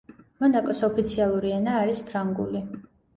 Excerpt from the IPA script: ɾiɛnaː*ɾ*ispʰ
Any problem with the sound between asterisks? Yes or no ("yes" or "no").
no